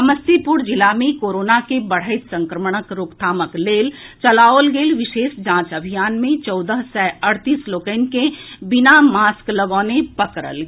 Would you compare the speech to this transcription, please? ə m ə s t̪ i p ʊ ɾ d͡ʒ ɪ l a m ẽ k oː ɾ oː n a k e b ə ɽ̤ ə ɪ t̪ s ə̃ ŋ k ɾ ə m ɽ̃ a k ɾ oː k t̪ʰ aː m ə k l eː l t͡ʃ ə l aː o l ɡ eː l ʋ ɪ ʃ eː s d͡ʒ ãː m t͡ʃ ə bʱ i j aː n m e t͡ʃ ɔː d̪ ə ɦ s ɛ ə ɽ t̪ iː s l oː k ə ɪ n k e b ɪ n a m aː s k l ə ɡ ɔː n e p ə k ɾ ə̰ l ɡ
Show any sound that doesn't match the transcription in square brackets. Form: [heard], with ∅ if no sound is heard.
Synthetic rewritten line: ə m ə s t̪ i p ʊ ɾ d͡ʒ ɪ l a m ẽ k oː ɾ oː n a k e b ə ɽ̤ ə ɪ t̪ s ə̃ ŋ k ɾ ə m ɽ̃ [ə] k ɾ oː k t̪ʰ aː m ə k l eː l t͡ʃ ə l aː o l ɡ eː l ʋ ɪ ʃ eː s d͡ʒ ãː [∅] t͡ʃ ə bʱ i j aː n m [ẽ] t͡ʃ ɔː d̪ ə ɦ s ɛ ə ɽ t̪ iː s l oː k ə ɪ n k e b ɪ n a m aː s k l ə ɡ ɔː n e p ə k ɾ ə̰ l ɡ

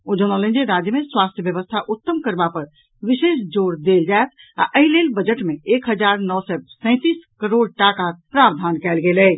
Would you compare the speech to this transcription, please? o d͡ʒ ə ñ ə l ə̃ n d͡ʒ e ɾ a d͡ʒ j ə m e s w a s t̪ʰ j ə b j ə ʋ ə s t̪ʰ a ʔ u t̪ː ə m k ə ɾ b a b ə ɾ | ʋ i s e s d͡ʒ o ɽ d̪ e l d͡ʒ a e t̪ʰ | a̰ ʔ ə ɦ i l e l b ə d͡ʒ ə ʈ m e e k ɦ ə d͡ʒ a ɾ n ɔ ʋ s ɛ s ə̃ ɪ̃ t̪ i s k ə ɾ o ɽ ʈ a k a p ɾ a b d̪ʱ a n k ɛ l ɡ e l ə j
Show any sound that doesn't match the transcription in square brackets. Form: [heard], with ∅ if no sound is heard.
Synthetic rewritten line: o d͡ʒ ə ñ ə l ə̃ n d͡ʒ e ɾ a d͡ʒ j ə m e s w a s t̪ʰ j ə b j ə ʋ ə s t̪ʰ a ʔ u t̪ː ə m k ə ɾ b a [p] ə ɾ | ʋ i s e s d͡ʒ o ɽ d̪ e l d͡ʒ a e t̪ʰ | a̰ ʔ ə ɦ i l e l b ə d͡ʒ ə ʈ m e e k ɦ ə d͡ʒ a ɾ n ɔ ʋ s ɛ s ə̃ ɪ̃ t̪ i s k ə ɾ o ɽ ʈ a k a p ɾ a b d̪ʱ a n k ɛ l ɡ e l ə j

